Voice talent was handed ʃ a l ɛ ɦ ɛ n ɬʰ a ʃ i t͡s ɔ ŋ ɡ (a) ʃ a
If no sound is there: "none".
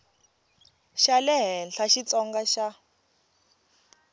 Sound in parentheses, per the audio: a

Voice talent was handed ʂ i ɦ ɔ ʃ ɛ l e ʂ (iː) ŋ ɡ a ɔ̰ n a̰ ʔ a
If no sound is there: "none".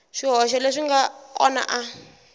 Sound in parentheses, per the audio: i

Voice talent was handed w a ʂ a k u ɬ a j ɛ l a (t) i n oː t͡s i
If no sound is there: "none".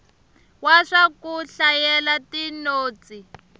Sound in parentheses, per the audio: t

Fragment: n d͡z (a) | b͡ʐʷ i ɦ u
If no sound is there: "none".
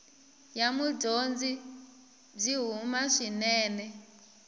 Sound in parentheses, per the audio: i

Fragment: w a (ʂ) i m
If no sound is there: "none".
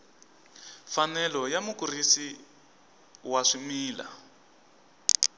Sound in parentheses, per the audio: ʂ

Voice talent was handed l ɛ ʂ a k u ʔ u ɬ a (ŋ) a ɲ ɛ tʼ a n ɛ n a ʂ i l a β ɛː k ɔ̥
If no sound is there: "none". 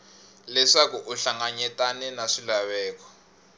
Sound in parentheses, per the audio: ŋ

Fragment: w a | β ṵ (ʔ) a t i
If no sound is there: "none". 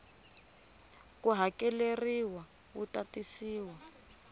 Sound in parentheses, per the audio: t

